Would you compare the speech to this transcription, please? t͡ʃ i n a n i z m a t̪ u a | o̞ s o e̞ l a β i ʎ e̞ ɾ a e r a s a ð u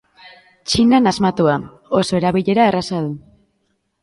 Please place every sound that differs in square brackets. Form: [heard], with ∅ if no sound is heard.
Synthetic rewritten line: t͡ʃ i n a n [a] z m a t̪ u a | o̞ s o e̞ [ɾ] a β i ʎ e̞ ɾ a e r a s a ð u